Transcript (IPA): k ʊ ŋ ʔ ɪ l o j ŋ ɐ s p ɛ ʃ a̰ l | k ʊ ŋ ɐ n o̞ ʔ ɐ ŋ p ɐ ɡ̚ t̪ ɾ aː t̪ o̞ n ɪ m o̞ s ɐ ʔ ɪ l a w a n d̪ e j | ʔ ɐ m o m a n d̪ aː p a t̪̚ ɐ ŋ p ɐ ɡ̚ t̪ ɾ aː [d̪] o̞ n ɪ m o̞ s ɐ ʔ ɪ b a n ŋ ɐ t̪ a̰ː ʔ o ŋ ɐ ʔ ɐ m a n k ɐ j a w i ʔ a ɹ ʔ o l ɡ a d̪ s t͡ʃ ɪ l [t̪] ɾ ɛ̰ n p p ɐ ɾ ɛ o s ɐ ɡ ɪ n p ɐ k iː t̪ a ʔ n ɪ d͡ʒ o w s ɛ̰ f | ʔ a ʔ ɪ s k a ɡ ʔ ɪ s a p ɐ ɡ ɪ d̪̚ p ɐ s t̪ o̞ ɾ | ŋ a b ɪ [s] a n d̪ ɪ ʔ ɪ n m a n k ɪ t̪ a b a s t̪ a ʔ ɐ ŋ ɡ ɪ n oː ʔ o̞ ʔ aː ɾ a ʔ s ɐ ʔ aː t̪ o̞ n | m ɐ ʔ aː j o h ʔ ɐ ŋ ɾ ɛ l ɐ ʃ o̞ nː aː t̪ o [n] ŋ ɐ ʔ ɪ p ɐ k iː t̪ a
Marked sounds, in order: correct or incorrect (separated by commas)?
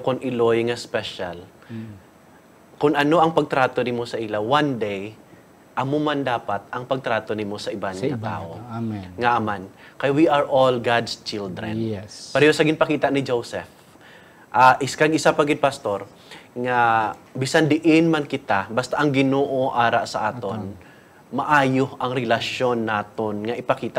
incorrect, incorrect, correct, correct